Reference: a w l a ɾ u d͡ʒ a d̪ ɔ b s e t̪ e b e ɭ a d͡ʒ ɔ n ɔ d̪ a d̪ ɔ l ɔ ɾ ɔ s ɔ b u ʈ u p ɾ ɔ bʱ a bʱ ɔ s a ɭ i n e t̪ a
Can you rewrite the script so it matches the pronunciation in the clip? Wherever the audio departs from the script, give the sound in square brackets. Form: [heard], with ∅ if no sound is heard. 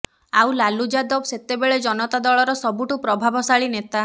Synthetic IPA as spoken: a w l a [l] u d͡ʒ a d̪ ɔ b s e t̪ e b e ɭ [e] d͡ʒ ɔ n ɔ [t̪] a d̪ ɔ [ɭ] ɔ ɾ ɔ s ɔ b u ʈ u p ɾ ɔ bʱ a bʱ ɔ s a ɭ i n e t̪ a